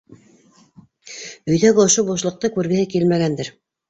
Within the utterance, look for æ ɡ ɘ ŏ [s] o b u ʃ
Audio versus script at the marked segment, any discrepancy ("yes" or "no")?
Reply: yes